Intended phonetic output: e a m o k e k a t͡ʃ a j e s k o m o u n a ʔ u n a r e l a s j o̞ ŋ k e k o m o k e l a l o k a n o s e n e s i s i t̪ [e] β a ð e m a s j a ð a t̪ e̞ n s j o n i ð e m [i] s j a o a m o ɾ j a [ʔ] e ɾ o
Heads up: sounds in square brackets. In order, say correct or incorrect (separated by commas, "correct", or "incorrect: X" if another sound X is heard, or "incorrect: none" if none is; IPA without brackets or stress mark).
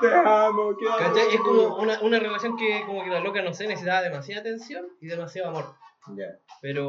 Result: incorrect: a, incorrect: a, incorrect: p